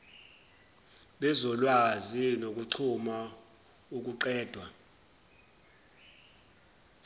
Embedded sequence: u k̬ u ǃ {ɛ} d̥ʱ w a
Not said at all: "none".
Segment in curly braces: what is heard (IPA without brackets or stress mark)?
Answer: ɛː